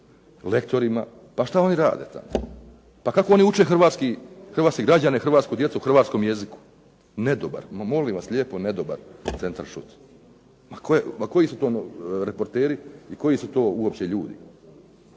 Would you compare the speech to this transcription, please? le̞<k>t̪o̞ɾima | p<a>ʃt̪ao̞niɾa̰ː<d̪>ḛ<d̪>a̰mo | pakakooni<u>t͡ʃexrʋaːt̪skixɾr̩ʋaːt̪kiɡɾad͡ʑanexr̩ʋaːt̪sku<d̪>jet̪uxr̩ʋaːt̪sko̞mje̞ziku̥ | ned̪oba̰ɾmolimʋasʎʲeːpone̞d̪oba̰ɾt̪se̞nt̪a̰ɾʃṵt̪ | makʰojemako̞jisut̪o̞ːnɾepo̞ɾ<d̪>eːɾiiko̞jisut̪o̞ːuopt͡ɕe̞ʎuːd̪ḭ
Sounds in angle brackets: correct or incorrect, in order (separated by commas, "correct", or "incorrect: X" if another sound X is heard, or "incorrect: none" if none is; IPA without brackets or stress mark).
correct, correct, correct, incorrect: t̪, correct, correct, incorrect: t̪